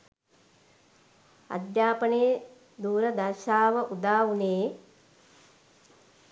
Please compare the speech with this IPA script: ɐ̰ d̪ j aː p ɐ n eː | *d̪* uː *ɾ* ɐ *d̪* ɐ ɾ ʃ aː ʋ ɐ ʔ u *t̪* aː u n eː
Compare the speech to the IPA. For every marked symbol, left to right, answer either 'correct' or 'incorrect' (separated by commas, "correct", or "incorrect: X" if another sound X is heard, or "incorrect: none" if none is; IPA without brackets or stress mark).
correct, correct, correct, incorrect: d̪